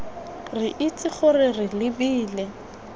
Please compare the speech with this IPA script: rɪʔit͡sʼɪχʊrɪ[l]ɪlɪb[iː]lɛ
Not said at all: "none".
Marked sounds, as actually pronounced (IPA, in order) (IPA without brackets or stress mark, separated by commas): r, iː